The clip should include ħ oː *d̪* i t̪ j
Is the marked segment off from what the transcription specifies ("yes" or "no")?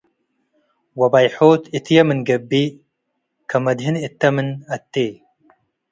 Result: yes